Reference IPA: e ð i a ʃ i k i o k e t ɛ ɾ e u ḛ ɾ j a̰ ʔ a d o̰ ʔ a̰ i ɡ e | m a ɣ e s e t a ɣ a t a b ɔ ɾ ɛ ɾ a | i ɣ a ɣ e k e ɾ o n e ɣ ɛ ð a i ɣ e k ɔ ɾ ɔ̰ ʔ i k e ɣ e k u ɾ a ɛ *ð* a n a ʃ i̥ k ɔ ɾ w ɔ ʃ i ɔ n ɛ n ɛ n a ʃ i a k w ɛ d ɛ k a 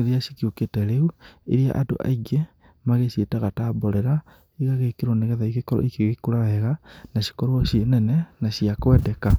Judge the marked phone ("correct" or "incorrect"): incorrect